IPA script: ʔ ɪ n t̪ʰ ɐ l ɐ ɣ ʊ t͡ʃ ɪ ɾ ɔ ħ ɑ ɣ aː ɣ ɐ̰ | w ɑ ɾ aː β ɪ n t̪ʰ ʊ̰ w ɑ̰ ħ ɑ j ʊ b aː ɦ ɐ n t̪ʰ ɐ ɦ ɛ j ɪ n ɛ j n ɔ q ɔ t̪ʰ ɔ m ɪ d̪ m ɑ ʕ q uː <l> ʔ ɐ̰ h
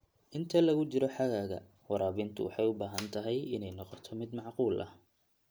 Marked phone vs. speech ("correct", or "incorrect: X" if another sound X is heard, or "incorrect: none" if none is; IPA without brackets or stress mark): correct